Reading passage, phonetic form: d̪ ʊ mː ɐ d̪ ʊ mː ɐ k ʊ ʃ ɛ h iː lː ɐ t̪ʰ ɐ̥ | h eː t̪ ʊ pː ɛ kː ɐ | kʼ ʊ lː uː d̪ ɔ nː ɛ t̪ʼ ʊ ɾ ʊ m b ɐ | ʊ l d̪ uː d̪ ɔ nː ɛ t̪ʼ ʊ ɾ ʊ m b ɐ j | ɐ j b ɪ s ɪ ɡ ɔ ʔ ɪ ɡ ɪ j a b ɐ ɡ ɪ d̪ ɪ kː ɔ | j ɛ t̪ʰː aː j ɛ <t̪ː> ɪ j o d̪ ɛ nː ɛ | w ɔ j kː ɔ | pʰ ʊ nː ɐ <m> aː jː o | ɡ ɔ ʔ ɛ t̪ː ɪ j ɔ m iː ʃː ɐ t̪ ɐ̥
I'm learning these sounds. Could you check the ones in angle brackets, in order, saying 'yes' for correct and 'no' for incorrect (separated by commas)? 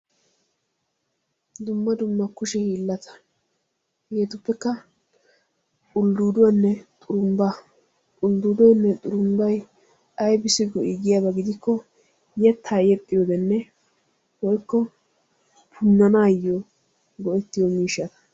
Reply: no, no